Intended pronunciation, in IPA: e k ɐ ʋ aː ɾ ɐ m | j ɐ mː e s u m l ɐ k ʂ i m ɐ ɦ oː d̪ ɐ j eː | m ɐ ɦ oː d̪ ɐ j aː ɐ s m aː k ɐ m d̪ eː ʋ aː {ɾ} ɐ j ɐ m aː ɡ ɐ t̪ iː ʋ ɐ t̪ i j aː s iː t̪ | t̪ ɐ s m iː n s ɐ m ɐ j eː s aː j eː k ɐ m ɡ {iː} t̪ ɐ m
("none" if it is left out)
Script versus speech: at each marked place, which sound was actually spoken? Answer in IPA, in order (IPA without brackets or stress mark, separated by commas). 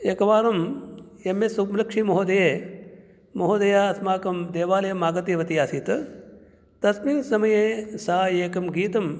l, iː